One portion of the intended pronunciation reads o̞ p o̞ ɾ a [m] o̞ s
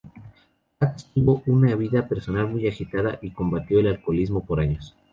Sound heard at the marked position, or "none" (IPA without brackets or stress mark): ɲ